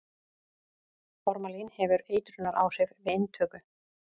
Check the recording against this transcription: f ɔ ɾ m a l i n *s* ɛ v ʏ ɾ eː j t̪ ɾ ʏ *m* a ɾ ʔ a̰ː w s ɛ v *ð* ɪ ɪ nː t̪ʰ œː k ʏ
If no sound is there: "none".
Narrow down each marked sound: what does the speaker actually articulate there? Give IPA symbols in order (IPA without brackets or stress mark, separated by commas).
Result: h, n, v